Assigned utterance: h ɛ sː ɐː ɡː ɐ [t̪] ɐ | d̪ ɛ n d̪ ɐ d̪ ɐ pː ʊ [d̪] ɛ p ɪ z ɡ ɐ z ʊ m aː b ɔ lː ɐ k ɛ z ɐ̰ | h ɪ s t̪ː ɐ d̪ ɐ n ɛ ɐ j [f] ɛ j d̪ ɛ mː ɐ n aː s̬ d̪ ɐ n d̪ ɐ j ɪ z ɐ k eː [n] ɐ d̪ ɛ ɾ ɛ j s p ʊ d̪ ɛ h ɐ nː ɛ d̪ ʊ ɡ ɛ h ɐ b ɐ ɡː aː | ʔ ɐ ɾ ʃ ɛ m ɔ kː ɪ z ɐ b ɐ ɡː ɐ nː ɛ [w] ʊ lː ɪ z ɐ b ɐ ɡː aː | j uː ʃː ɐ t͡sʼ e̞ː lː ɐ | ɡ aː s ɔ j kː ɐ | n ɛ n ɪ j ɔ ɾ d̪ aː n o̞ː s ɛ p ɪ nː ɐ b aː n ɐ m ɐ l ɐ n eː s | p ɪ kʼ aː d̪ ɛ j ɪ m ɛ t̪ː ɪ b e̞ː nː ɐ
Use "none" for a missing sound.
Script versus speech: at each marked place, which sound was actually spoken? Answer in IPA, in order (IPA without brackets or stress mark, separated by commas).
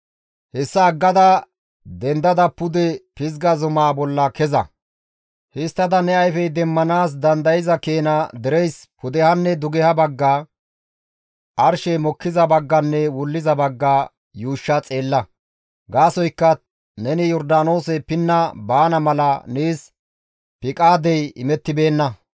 d̪, d̪, f, n, w